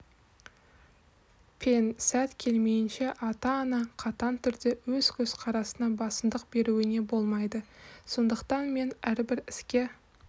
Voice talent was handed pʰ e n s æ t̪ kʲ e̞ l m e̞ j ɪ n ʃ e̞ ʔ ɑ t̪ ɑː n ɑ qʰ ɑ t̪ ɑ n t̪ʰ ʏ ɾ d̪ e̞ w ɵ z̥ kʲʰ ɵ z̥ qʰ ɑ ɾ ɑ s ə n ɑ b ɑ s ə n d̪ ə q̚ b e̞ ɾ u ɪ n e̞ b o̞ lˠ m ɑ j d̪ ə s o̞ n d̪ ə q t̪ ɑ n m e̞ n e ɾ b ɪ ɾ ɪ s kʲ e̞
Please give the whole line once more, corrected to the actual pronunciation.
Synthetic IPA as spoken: pʰ e n s æ t̪ kʲʰ e̞ l m e̞ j ɪ n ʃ e̞ ʔ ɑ t̪ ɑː n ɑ qʰ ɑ t̪ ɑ n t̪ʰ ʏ ɾ d̪ e̞ w ɵ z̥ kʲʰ ɵ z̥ qʰ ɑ ɾ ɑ s ə n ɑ b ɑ s ə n d̪ ə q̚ b e̞ ɾ u ɪ n e̞ b o̞ lˠ m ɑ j d̪ ə s o̞ n d̪ ə q t̪ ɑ n m e̞ n æ ɾ b ɪ ɾ ɪ s kʲ e̞